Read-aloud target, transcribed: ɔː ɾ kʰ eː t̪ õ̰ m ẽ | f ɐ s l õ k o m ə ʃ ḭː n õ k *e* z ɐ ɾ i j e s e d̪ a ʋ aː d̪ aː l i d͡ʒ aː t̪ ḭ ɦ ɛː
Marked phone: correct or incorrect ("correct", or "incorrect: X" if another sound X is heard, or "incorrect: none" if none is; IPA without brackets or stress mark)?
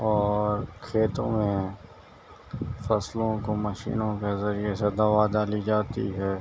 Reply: correct